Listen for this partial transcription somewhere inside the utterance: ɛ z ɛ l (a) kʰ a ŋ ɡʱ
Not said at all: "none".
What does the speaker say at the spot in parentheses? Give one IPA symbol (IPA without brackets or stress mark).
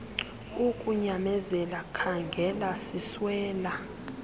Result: a